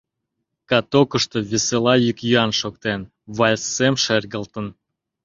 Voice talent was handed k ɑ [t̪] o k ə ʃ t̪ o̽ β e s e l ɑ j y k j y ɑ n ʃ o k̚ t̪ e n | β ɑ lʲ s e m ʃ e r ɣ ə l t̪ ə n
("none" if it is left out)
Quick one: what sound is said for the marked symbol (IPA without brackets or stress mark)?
t̪